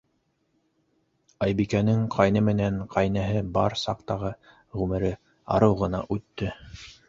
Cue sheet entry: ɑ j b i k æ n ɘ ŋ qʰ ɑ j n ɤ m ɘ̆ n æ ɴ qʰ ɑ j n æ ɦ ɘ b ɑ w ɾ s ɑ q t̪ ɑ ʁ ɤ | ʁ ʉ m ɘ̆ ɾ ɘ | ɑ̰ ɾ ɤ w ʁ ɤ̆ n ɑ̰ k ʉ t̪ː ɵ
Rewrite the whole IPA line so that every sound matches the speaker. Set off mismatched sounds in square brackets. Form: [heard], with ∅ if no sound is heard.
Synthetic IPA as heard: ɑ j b i k æ n ɘ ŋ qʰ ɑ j n ɤ m ɘ̆ n æ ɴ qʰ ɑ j n æ ɦ ɘ b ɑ [∅] ɾ s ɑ q t̪ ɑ ʁ ɤ | ʁ ʉ m ɘ̆ ɾ ɘ | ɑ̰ ɾ ɤ w ʁ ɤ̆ n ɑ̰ [ʔ] ʉ t̪ː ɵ